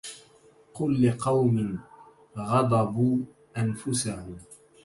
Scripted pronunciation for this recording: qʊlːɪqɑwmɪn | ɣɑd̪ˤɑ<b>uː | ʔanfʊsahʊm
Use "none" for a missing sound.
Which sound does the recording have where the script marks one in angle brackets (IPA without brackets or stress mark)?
b